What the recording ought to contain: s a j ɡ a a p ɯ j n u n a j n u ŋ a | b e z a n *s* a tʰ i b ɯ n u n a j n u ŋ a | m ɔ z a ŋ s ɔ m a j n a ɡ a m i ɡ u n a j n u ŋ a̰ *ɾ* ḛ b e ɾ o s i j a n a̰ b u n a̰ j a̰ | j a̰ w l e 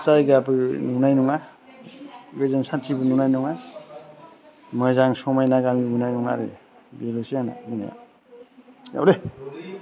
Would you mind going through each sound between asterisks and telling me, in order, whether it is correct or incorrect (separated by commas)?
correct, correct